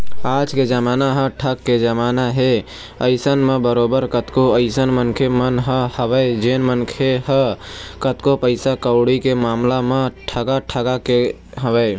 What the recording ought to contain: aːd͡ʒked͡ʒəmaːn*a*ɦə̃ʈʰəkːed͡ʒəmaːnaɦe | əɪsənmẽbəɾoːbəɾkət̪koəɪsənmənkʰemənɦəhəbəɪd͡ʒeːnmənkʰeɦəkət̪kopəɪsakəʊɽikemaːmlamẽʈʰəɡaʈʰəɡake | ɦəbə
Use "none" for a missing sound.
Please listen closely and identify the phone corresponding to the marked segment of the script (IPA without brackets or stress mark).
a